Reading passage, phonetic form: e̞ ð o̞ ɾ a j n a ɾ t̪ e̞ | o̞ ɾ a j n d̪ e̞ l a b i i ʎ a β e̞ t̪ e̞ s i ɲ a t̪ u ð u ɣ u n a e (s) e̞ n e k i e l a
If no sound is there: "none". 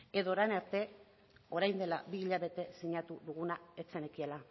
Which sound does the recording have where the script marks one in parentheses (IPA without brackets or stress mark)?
t͡s